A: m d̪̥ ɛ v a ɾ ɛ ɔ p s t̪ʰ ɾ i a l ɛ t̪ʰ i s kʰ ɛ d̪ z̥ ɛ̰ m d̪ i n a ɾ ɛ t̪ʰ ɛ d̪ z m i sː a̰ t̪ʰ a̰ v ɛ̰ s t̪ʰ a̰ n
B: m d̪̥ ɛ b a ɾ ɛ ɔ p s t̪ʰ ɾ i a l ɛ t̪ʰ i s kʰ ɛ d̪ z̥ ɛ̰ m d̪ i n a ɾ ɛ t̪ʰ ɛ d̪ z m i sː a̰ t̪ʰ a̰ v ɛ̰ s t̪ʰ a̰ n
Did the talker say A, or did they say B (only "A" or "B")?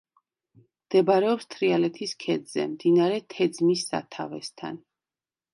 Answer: B